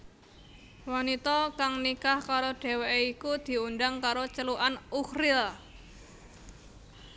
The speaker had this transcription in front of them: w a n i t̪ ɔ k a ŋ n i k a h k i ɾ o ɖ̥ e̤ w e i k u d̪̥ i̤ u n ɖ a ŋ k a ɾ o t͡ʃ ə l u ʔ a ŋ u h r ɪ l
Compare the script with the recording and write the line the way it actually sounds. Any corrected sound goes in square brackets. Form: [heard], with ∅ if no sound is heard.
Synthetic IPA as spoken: w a n i t̪ ɔ k a ŋ n i k a h k [a] ɾ o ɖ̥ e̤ w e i k u d̪̥ i̤ u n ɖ a ŋ k a ɾ o t͡ʃ ə l u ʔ a [n] u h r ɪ l